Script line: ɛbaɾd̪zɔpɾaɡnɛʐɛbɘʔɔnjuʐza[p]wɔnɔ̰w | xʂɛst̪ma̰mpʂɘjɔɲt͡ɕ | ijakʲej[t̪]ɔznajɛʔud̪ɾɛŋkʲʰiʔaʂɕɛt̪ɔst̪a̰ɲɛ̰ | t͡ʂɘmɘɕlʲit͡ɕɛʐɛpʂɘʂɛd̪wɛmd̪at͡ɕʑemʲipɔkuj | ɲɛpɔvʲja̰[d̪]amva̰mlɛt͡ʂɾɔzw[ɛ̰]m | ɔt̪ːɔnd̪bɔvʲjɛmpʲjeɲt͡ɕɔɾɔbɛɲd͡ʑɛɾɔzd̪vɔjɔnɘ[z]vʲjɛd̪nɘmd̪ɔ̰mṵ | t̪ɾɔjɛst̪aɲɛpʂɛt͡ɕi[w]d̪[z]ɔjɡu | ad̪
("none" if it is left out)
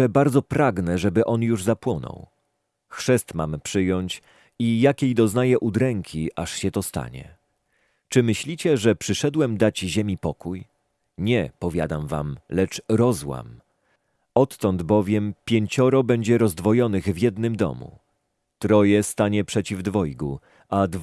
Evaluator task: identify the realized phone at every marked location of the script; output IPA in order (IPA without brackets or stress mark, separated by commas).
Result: p, d̪, d̪, a̰, ɣ, v, v